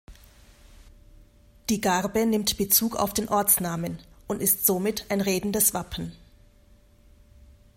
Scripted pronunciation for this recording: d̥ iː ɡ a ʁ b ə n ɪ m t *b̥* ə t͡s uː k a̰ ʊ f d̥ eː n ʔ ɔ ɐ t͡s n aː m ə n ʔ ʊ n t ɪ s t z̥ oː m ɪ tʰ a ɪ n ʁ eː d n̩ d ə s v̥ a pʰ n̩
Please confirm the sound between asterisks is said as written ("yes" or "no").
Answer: yes